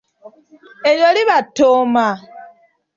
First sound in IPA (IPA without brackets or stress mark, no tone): e